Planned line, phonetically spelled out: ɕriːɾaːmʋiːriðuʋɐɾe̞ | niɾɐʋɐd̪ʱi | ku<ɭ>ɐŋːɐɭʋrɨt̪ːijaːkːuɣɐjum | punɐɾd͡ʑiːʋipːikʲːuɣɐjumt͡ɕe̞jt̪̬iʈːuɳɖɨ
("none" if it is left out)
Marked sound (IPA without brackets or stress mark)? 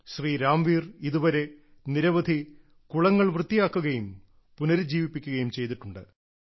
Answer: ɭ